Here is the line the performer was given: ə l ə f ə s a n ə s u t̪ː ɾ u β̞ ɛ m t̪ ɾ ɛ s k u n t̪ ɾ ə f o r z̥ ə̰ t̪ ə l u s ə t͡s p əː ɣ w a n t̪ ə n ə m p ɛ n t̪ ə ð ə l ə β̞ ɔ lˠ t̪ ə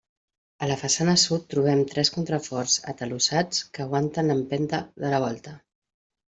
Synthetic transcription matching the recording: ə l ə f ə s a n ə s u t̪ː ɾ u β̞ ɛ m t̪ ɾ ɛ s k u n t̪ ɾ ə f ɔ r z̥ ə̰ t̪ ə l u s a t͡s k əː ɣ w a n t̪ ə n ə m p ɛ n t̪ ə ð ə l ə β̞ ɔ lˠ t̪ ə